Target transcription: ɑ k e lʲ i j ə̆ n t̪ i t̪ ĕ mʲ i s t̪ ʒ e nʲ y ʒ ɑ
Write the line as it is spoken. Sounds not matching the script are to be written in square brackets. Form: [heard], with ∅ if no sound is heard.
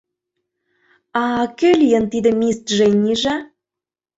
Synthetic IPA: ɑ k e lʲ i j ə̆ n t̪ i [d̪] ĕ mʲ i s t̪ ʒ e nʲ [i] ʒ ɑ